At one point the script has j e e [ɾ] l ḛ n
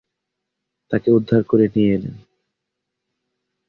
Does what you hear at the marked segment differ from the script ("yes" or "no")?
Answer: yes